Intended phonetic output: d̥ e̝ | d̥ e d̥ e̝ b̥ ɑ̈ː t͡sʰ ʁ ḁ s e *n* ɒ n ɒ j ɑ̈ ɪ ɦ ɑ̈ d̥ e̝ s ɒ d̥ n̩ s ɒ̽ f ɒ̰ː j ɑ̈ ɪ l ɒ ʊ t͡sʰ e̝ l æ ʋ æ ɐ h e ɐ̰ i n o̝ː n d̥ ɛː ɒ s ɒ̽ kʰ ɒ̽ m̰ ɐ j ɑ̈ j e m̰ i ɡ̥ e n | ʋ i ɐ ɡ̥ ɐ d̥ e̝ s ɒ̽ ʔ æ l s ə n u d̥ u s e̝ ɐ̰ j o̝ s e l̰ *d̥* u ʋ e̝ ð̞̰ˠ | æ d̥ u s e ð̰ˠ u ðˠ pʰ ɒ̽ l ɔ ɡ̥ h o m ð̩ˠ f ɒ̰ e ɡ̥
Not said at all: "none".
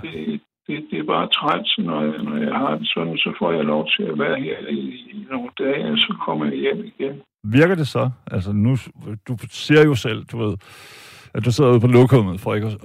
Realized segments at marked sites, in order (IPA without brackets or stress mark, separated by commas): n, d̥